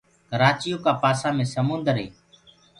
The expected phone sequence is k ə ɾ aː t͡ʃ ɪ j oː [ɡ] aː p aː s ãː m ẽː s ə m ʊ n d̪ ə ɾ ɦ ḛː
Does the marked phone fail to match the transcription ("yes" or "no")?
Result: yes